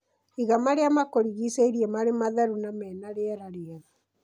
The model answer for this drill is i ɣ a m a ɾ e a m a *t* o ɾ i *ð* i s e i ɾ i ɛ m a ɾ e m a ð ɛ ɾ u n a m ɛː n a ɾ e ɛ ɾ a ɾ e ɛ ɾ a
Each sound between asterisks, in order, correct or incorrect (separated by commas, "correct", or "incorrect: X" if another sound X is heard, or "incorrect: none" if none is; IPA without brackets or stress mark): incorrect: k, incorrect: ɣ